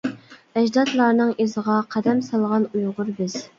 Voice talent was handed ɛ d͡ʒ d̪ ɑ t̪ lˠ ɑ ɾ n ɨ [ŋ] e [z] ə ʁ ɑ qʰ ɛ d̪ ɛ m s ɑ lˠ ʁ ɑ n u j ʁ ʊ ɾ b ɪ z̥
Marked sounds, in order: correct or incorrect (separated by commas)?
correct, correct